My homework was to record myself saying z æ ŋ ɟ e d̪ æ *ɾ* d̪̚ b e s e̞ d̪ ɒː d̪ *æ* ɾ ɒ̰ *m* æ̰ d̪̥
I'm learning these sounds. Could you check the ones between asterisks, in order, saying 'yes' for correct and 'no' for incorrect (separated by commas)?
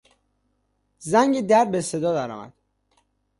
yes, yes, yes